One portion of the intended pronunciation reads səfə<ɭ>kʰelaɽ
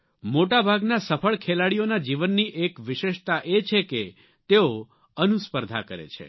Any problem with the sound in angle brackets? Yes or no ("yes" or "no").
no